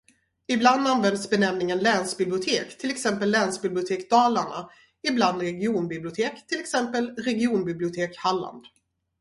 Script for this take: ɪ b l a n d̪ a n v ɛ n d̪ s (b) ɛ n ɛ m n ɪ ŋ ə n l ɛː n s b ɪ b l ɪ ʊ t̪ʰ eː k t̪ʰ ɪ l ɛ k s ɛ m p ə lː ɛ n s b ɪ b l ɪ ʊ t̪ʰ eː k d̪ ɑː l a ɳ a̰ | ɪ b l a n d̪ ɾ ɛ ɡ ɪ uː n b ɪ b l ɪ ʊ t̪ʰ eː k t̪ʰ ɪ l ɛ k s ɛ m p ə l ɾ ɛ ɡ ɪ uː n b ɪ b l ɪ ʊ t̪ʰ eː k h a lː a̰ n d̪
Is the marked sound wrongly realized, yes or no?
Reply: no